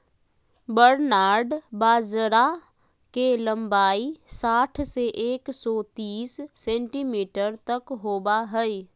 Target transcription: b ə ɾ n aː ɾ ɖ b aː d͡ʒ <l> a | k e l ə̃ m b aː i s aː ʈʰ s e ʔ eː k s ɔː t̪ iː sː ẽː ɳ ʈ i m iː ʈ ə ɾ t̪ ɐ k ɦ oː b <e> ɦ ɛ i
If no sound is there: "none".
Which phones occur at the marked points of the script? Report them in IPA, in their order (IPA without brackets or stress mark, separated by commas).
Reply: ɾ, a